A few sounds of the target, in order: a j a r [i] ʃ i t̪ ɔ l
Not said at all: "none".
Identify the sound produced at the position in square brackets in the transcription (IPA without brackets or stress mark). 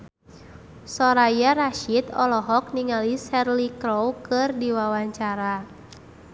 a